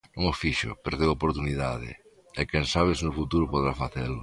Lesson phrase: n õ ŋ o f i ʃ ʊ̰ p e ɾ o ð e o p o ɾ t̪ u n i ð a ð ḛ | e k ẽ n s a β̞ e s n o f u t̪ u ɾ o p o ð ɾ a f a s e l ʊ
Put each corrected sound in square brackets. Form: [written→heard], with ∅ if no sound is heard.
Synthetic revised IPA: n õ ŋ o f i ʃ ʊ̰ p e ɾ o ð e o p o ɾ t̪ u n i ð a ð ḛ | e k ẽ n s a β̞ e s n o f u t̪ u ɾ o p o ð ɾ a f a [s→θ] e l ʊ